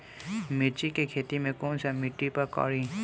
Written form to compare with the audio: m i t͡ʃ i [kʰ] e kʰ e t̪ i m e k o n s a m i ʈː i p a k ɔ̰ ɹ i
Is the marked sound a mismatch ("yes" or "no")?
yes